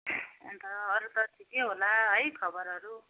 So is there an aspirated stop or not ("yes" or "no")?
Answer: yes